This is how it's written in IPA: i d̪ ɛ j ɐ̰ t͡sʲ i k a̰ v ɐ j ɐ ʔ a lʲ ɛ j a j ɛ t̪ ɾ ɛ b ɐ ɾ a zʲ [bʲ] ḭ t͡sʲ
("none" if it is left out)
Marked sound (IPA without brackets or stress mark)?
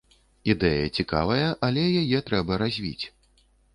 vʲ